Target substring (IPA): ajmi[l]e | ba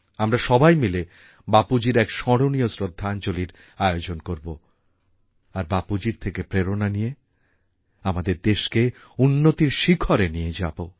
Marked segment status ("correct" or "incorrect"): correct